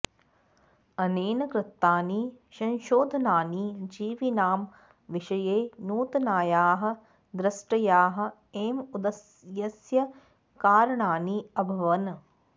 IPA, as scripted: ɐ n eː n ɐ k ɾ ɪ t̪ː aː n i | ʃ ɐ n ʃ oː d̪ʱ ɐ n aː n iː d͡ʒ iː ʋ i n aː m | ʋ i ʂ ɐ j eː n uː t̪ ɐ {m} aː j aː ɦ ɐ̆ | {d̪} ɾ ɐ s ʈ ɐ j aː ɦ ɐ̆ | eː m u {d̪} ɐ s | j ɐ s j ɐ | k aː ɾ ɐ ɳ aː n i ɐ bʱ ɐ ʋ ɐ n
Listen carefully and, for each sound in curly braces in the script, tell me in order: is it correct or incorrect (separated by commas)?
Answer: incorrect, correct, correct